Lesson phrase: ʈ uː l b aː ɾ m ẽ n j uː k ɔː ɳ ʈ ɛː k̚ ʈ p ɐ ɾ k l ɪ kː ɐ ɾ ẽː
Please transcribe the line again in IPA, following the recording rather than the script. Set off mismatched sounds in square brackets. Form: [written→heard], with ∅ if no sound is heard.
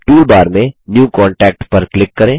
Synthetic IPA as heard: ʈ uː l b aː ɾ m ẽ n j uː k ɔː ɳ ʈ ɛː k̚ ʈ p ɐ ɾ k l ɪ kː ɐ ɾ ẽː